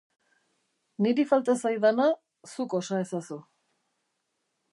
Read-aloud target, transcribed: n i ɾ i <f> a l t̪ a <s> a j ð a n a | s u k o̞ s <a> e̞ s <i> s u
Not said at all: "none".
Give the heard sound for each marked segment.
f, s, a, a

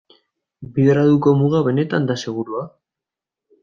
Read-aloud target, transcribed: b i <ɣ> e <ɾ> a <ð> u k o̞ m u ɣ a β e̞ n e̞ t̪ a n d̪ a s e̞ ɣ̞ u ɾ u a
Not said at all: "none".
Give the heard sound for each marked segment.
ð, ɾ, ð

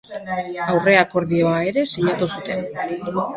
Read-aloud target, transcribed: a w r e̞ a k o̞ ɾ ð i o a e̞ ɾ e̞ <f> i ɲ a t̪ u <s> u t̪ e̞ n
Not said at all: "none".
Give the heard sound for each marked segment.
s, s

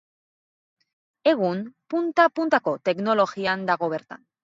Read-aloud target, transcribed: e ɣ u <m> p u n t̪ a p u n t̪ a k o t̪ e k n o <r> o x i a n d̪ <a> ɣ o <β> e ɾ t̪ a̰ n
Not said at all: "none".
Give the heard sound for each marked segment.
n, l, a, β

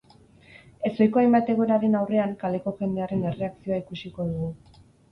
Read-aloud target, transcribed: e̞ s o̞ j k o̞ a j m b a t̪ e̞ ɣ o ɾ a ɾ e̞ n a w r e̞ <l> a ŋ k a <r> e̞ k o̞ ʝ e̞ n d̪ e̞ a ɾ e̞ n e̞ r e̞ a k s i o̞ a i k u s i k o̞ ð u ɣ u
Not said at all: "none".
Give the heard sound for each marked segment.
none, l

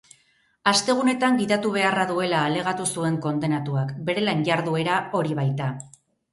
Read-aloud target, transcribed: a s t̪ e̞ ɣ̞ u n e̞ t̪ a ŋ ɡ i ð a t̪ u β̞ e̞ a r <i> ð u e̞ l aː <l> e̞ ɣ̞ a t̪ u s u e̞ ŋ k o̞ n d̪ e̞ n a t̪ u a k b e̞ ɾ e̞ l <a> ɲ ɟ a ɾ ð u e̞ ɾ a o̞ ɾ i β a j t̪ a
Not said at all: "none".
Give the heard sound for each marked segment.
a, l, a

